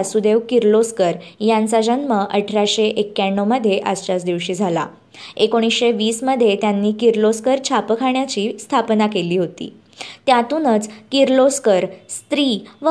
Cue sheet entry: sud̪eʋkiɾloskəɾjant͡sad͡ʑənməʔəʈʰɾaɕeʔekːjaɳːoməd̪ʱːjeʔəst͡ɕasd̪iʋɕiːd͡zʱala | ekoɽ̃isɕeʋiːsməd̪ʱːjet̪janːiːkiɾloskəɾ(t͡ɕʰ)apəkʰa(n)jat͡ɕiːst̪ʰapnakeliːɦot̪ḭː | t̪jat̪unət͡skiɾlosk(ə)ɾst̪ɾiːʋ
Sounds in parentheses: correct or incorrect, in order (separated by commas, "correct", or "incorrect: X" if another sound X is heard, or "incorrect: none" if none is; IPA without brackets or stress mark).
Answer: correct, incorrect: ɳ, correct